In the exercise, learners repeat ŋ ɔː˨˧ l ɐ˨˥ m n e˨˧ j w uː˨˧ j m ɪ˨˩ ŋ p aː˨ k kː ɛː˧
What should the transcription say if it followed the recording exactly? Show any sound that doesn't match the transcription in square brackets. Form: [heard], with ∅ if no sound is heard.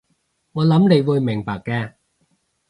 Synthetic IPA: ŋ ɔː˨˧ l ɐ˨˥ m n e˨˧ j w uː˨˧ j m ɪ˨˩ ŋ p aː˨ k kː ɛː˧